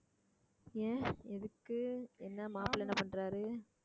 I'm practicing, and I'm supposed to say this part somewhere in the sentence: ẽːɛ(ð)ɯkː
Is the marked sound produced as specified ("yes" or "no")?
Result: yes